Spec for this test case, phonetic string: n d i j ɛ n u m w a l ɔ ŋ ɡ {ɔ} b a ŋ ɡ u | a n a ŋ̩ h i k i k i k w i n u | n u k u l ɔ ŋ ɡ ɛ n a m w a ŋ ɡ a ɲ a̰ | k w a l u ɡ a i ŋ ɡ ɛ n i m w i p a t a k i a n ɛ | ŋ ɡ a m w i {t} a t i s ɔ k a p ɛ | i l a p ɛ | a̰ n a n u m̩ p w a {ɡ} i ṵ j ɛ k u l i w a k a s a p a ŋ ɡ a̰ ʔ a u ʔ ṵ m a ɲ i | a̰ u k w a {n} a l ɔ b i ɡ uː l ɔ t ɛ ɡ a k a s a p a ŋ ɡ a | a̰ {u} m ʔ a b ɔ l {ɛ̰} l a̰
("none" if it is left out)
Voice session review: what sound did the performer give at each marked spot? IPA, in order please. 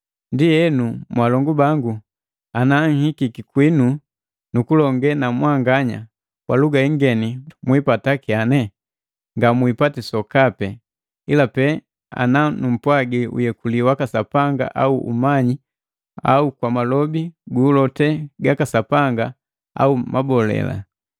u, p, ɡ, m, u, ɛ̰

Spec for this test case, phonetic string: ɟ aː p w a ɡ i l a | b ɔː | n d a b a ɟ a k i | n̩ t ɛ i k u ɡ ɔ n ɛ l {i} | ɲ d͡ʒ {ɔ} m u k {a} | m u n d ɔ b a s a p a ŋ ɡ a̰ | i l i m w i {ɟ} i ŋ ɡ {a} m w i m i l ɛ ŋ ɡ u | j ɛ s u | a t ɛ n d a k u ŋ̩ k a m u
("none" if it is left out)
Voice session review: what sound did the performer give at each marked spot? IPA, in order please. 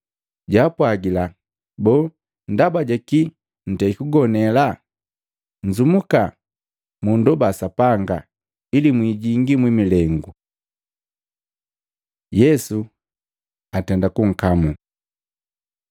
a, u, a, ɟ, i

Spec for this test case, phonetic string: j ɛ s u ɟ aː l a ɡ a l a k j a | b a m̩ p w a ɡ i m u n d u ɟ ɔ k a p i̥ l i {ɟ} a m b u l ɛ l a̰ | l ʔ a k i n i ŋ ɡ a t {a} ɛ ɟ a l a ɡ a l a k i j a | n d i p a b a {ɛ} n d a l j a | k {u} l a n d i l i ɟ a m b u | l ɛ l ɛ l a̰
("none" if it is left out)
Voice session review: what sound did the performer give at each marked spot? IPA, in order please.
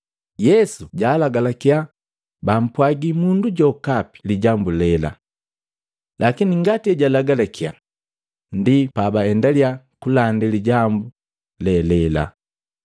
ɟ, i, ɛ, u

